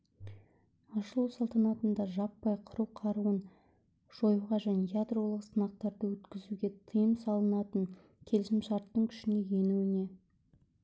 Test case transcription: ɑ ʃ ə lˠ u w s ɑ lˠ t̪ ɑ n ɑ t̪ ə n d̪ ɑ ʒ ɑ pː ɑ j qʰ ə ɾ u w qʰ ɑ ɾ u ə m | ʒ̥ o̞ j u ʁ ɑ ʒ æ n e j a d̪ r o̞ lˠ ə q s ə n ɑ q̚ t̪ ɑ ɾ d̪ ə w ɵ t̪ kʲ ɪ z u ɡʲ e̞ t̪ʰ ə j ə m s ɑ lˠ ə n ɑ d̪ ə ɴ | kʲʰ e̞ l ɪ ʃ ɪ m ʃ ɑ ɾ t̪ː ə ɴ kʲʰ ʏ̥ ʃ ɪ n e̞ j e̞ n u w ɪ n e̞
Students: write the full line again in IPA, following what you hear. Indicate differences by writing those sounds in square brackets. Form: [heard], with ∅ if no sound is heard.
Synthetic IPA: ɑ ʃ ə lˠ u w s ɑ lˠ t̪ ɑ n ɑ t̪ ə n d̪ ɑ ʒ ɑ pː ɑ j qʰ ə ɾ u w qʰ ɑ ɾ u ə [n] | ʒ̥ o̞ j u ʁ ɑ ʒ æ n e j a d̪ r o̞ lˠ ə q s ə n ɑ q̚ t̪ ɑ ɾ d̪ ə w ɵ t̪ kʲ ɪ z u ɡʲ e̞ t̪ʰ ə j ə m s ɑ lˠ ə n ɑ [t̪] ə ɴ | kʲʰ e̞ l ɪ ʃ ɪ m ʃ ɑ ɾ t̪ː ə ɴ kʲʰ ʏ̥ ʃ ɪ n e̞ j e̞ n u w ɪ n e̞